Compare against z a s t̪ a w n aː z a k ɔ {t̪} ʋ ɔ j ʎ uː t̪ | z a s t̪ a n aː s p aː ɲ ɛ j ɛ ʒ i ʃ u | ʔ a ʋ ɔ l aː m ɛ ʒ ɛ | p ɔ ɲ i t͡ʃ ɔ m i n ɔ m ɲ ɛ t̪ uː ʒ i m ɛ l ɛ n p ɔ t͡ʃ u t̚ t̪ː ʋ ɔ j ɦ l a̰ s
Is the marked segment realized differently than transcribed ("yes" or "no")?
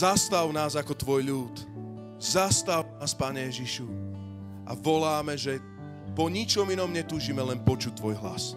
no